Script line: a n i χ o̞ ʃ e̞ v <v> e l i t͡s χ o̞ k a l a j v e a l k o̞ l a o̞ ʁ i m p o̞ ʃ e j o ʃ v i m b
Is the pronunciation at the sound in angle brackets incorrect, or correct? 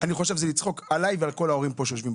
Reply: incorrect